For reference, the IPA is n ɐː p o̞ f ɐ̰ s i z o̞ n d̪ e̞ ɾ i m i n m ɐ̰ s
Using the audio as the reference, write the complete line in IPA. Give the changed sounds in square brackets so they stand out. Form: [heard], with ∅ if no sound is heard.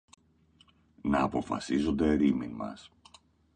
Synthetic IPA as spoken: n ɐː p o̞ f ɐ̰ s i z o̞ n d̪ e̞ ɾ i m i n m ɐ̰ s